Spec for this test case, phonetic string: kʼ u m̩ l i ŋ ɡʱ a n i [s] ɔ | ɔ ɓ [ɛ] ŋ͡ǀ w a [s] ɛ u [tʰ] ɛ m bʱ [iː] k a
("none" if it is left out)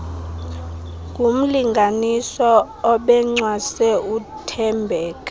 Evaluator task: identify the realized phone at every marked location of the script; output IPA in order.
s, ɛ, s, tʰ, ɛː

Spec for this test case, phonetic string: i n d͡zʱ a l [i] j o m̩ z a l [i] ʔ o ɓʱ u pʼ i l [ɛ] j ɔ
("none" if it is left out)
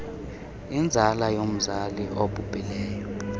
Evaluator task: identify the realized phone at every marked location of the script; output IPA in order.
a, i, ɛː

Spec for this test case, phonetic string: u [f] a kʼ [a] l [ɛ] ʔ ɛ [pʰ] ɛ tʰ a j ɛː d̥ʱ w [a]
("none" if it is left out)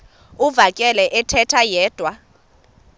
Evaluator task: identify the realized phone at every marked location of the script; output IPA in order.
v, ɛ, ɛ, tʰ, a

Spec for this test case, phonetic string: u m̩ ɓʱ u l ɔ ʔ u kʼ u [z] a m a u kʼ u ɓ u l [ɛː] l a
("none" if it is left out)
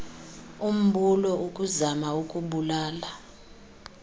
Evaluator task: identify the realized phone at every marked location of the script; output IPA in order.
z, aː

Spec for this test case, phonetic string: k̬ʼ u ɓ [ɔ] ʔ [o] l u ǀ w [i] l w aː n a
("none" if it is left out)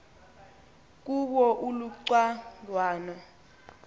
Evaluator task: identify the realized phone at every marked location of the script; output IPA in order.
ɔ, u, a

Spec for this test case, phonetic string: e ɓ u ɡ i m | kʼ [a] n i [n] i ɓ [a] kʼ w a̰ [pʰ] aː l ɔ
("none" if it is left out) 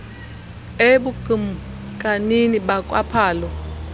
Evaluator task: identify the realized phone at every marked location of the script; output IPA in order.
a, n, a, pʰ

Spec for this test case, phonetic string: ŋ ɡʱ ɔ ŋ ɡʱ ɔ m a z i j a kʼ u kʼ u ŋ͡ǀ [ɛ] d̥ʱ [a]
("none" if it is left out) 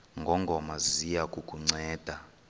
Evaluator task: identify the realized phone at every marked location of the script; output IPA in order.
ɛː, a

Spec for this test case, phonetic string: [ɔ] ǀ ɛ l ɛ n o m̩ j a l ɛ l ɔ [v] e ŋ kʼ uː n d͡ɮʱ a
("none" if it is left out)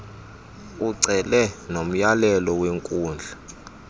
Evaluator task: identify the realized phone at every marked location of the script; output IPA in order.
u, w

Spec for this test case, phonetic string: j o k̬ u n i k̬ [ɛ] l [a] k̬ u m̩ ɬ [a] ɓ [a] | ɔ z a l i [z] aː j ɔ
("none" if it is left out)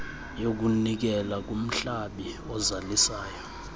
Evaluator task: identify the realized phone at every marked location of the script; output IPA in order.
ɛ, a, a, i, s

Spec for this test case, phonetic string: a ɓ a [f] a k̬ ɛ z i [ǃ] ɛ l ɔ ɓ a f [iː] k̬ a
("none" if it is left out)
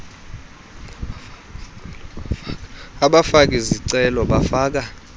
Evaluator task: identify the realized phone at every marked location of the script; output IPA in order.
f, ǀ, aː

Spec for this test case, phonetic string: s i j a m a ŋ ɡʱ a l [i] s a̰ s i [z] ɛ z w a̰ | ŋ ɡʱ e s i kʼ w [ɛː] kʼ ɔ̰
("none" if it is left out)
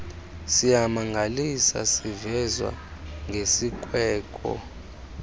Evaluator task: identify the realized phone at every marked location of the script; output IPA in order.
i, v, ɛː

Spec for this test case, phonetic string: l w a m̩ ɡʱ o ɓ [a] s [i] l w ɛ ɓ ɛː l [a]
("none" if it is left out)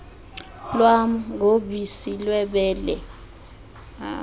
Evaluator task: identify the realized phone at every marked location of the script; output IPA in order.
i, i, ɛ

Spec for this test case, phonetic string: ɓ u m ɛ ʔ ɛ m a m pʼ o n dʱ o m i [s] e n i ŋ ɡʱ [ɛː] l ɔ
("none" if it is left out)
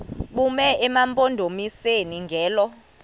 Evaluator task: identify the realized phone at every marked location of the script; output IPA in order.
s, ɛː

